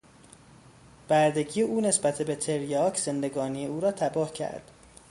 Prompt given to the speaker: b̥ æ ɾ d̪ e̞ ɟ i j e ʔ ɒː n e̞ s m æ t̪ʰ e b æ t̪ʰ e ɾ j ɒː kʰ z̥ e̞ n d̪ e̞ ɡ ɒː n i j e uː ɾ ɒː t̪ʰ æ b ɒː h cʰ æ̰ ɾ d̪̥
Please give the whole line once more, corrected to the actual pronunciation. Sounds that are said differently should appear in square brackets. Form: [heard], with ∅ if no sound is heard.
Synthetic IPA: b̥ æ ɾ d̪ e̞ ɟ i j e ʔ [uː] n e̞ s [b] æ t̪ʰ e b [e] t̪ʰ e ɾ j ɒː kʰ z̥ e̞ n d̪ e̞ ɡ ɒː n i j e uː ɾ ɒː t̪ʰ æ b ɒː h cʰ æ̰ ɾ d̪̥